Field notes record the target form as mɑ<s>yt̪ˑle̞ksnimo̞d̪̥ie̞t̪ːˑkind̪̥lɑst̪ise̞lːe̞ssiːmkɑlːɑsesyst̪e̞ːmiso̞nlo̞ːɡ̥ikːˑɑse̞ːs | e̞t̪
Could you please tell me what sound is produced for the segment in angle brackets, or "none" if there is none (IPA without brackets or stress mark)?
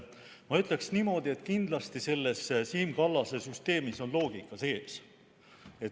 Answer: none